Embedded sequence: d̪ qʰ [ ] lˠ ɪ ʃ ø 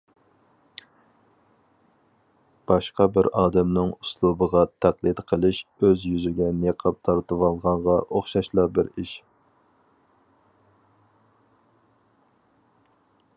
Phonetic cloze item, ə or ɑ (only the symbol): ə